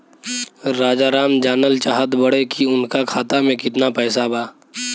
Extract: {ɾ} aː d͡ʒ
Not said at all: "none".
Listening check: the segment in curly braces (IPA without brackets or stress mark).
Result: ɾ